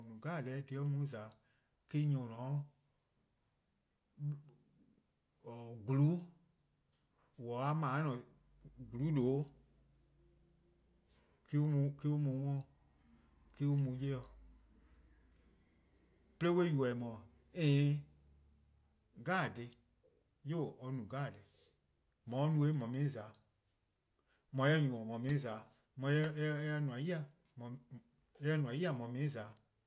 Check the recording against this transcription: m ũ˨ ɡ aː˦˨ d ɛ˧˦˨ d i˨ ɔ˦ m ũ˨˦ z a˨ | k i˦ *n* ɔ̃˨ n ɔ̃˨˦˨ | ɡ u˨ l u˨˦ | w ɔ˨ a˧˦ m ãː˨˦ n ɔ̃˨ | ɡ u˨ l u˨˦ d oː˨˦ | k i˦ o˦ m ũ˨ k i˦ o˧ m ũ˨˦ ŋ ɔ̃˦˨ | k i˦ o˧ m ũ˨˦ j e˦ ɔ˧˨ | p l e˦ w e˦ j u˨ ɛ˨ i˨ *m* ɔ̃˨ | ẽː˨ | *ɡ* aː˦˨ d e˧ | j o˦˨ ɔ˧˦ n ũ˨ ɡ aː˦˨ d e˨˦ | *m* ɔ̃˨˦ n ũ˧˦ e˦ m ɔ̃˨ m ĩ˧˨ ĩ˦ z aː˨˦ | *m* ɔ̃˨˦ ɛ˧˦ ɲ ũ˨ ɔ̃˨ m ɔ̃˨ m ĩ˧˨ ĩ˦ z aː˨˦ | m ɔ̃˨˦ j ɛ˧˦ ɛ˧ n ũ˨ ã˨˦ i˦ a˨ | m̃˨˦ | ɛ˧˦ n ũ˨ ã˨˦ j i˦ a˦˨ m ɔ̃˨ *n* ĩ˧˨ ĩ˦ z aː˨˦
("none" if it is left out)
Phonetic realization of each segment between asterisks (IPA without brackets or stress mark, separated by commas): ɲ, m, ɡ, m, m, m